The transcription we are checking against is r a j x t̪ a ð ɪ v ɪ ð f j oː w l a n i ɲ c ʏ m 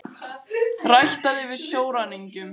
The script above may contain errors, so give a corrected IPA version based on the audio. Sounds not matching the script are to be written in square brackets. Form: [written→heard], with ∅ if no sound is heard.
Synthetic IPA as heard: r a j [x→h] t̪ a ð ɪ v ɪ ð [f→s] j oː w [l→ɾ] a n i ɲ c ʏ m